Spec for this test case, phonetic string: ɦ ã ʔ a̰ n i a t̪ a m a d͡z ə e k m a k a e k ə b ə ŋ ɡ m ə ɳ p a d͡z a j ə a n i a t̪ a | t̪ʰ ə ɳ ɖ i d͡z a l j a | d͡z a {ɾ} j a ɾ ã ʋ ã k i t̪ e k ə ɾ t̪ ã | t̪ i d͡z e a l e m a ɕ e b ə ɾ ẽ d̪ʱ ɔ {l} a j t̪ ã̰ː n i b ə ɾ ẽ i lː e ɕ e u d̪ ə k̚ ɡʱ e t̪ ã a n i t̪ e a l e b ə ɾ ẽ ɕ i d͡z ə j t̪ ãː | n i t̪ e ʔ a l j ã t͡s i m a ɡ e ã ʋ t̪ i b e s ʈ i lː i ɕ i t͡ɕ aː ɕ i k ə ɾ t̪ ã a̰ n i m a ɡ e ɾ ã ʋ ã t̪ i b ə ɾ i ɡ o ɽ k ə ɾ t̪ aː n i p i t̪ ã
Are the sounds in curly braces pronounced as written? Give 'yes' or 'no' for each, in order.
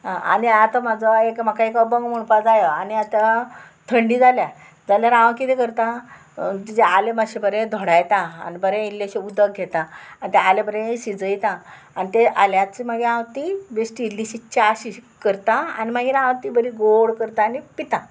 no, no

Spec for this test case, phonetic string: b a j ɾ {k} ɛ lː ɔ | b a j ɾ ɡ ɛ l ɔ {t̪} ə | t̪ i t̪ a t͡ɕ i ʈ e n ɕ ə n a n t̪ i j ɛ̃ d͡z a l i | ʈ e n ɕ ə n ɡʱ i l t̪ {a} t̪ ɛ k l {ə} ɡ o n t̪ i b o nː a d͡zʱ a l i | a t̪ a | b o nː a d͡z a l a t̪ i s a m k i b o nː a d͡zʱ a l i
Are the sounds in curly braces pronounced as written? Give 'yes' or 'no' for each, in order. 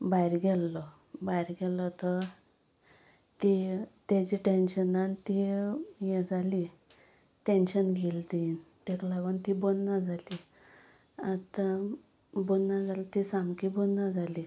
no, yes, no, no

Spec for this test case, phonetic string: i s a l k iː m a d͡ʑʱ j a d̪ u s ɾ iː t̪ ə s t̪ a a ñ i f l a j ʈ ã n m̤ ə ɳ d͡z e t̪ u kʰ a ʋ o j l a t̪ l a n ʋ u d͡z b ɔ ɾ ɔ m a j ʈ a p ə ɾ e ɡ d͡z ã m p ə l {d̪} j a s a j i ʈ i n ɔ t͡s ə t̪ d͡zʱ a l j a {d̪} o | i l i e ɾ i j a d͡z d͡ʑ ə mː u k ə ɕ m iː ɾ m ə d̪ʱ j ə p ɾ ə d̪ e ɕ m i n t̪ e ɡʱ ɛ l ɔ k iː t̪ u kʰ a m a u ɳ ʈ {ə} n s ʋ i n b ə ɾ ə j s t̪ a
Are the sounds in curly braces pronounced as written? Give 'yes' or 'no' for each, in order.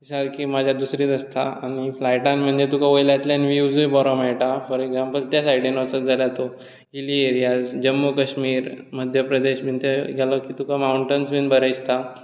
no, no, yes

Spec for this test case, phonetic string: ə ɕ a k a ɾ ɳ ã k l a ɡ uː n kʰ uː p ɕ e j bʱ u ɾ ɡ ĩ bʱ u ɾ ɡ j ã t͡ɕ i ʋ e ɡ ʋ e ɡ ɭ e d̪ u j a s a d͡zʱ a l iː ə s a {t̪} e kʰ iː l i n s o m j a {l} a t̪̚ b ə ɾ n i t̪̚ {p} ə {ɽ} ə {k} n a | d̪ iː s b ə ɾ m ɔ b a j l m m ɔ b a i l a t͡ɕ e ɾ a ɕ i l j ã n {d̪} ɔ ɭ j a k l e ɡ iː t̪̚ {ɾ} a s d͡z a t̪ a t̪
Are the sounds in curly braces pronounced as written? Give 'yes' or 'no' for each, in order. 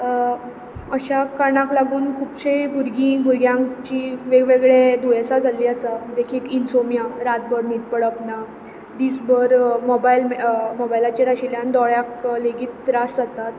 no, no, yes, yes, no, yes, yes

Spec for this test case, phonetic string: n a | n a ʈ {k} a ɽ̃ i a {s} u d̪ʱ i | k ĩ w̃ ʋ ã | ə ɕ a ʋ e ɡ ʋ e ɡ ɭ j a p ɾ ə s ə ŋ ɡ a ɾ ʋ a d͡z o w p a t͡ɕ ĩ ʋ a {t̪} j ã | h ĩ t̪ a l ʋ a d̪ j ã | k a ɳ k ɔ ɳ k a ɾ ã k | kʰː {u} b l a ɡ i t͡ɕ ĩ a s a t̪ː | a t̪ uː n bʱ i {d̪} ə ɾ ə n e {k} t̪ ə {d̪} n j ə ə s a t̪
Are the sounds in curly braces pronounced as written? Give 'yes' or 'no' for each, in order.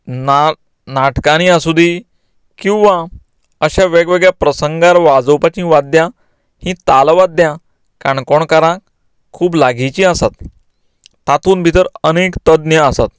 yes, yes, no, no, no, yes, yes

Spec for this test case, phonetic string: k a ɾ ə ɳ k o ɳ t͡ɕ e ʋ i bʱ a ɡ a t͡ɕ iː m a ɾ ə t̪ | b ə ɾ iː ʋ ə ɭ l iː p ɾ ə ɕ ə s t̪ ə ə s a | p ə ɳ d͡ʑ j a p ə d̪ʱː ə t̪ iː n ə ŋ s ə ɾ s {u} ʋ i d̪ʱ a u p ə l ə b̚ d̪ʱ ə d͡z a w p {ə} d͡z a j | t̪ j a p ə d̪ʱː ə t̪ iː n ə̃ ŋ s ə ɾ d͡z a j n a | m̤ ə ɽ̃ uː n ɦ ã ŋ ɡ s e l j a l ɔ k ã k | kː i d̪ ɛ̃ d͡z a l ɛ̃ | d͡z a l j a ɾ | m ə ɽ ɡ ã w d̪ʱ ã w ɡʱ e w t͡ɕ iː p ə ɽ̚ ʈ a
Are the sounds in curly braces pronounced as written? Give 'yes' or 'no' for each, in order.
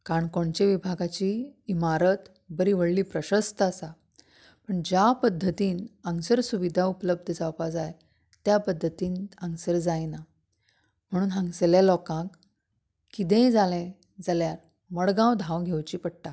yes, no

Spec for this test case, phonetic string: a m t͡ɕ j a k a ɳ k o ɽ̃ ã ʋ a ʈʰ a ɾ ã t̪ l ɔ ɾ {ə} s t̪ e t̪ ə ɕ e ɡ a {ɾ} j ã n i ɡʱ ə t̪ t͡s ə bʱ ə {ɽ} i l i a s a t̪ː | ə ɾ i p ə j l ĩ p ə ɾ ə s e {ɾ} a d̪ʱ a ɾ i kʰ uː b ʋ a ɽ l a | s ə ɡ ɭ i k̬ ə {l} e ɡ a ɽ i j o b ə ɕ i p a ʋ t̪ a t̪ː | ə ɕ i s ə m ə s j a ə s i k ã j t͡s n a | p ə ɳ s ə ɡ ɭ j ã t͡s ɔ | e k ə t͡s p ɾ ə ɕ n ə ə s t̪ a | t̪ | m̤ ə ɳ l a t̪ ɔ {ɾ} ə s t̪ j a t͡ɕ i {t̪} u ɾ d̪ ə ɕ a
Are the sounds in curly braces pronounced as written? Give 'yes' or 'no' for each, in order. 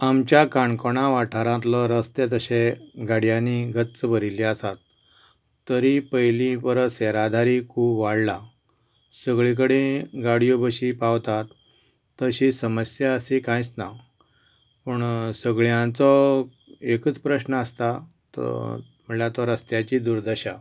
yes, no, no, yes, no, yes, no

